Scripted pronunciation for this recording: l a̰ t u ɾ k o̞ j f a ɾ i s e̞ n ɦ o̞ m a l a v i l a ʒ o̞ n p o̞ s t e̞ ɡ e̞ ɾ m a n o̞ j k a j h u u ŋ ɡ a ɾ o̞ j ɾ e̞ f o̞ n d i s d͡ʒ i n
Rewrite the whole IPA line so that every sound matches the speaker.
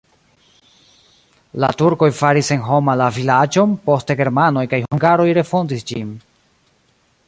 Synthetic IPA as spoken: l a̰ t u ɾ k o̞ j f a ɾ i s e̞ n ɦ o̞ m a l a v i l a d͡ʒ o̞ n p o̞ s t e̞ ɡ e̞ ɾ m a n o̞ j k a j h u u ŋ ɡ a ɾ o̞ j ɾ e̞ f o̞ n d i s d͡ʒ i n